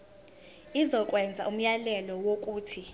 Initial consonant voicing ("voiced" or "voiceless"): voiced